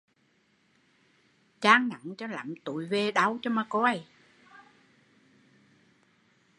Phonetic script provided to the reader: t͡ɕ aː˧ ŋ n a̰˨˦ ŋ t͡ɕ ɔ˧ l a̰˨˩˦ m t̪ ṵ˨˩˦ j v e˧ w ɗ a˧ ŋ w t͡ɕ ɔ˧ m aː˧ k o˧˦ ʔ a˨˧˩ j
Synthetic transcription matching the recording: t͡ɕ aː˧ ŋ n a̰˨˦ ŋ t͡ɕ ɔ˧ l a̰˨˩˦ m t̪ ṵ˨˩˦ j v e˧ ɗ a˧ w t͡ɕ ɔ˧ m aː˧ k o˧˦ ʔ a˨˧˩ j